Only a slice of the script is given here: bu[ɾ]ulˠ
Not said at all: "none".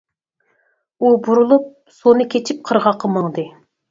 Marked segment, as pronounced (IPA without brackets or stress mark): ɾ